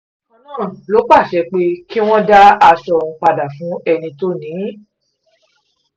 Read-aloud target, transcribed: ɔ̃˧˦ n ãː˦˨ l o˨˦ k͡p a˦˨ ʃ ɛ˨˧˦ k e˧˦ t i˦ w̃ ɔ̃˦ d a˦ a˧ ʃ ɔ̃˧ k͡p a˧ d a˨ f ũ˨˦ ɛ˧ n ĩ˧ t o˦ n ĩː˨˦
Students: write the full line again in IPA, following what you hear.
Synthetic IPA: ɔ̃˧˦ n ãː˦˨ l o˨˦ k͡p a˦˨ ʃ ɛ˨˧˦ k͡p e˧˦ k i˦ w̃ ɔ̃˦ d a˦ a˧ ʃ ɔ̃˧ k͡p a˧ d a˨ f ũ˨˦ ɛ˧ n ĩ˧ t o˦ n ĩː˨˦